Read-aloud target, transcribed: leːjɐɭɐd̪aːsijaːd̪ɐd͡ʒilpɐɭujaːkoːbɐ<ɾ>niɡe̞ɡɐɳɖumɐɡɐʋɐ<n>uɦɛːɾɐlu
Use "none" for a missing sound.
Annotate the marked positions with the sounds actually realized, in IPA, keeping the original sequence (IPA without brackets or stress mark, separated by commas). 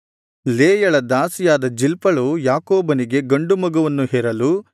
none, nː